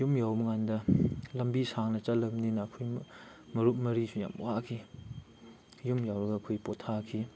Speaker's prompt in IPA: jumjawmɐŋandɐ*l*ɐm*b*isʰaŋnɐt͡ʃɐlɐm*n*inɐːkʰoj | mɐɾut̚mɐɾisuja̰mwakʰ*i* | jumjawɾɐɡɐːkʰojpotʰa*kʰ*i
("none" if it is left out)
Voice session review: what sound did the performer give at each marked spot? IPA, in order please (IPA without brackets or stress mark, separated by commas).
l, b, n, i, kʰ